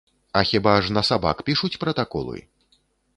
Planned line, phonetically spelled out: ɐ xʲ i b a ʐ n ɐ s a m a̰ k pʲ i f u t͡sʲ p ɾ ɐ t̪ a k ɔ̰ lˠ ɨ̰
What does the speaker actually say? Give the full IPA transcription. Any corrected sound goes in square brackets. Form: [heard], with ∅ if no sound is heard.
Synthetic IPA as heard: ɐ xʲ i b a ʐ n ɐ s a [b] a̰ k pʲ i [ʂ] u t͡sʲ p ɾ ɐ t̪ a k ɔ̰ lˠ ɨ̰